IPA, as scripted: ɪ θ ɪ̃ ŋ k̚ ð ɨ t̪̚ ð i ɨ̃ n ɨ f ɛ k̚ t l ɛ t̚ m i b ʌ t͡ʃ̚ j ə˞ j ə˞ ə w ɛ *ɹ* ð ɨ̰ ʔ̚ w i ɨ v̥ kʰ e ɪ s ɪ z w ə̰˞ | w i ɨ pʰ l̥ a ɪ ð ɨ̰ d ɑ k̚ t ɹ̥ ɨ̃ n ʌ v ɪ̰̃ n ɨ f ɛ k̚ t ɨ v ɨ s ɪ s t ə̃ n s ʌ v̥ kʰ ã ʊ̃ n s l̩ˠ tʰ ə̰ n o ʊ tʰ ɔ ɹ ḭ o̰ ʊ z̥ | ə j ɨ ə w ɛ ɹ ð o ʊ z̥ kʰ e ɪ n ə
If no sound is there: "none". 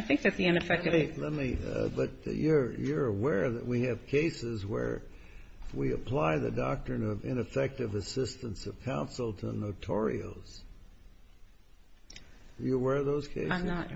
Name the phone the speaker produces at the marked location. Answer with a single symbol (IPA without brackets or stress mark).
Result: ɹ